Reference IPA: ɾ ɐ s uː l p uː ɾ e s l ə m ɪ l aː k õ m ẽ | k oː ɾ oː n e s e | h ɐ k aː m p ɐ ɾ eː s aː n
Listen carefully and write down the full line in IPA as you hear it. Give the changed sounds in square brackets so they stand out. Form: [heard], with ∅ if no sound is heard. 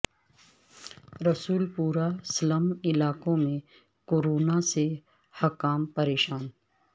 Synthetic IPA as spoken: ɾ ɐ s uː l p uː ɾ [a] s l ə m ɪ l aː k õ m ẽ | k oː ɾ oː n [a] s e | h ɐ k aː m p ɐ ɾ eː [ʃ] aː n